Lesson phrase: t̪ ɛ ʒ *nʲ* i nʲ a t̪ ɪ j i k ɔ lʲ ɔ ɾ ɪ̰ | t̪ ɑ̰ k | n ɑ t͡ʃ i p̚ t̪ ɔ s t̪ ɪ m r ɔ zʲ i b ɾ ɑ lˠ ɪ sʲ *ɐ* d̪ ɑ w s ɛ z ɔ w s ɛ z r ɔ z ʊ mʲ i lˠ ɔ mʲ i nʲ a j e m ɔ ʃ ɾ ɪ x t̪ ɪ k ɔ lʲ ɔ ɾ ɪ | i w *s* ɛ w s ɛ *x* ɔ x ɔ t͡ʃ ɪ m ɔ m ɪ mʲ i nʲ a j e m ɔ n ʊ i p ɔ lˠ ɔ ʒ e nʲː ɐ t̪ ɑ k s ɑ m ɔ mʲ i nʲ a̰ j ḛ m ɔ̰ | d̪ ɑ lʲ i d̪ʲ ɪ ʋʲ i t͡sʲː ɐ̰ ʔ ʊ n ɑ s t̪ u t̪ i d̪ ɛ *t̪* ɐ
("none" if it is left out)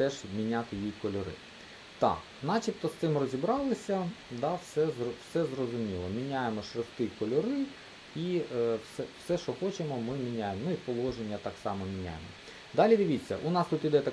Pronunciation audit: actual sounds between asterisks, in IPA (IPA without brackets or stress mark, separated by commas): mʲ, ɐ, s, ʃ, t̪